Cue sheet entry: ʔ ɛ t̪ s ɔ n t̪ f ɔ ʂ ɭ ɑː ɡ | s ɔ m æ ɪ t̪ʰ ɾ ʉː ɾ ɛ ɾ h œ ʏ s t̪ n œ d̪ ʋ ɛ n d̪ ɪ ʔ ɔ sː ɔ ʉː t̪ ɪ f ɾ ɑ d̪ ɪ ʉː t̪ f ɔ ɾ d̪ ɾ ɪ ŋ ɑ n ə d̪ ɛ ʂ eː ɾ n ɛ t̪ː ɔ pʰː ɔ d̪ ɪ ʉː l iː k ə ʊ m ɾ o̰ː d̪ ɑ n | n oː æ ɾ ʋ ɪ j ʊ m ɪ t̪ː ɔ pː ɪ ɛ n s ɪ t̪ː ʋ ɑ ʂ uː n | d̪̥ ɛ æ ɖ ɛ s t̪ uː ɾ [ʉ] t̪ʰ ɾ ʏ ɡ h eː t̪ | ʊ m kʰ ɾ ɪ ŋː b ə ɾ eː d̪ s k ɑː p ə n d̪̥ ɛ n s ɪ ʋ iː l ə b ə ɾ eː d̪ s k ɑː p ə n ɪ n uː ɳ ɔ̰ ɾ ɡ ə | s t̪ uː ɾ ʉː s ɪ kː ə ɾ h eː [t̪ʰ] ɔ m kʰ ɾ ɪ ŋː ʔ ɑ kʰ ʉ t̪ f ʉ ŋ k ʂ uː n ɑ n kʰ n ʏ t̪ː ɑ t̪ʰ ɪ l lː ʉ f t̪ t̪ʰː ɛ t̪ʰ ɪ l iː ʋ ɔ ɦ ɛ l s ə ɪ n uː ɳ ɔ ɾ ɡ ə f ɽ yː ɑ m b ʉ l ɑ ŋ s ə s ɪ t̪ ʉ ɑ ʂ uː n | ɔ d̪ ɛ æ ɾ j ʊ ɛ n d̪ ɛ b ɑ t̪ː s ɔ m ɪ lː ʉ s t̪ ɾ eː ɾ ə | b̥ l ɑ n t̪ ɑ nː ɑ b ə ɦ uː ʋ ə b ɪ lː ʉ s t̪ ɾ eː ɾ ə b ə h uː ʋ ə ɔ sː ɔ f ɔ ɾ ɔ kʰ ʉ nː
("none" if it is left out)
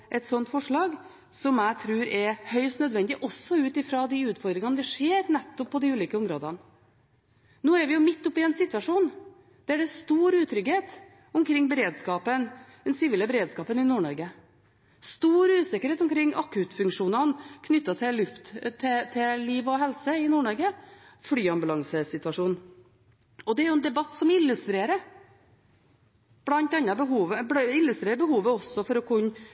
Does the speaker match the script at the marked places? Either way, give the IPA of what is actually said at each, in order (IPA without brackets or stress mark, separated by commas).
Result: ʉː, t̪